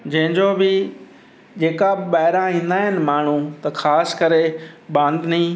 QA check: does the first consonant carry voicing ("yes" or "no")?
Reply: yes